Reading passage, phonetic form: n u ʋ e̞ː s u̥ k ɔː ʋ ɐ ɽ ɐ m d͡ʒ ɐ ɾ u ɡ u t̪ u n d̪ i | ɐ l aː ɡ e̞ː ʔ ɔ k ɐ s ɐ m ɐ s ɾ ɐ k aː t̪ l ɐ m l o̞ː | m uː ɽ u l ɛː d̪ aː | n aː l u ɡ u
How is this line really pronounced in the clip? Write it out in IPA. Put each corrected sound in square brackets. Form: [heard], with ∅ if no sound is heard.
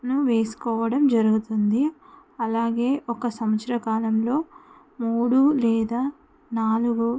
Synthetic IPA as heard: n u ʋ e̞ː s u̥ k ɔː ʋ ɐ ɽ ɐ m d͡ʒ ɐ ɾ u ɡ u t̪ u n d̪ i | ɐ l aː ɡ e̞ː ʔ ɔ k ɐ s ɐ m ɐ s ɾ ɐ k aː [∅] l ɐ m l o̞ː | m uː ɽ u l ɛː d̪ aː | n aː l u ɡ u